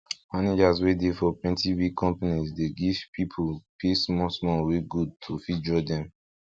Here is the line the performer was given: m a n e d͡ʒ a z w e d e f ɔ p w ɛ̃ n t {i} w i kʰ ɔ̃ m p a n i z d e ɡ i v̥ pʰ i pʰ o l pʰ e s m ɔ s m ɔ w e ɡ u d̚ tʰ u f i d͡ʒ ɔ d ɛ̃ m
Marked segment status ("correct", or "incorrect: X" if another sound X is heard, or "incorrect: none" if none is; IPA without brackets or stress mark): correct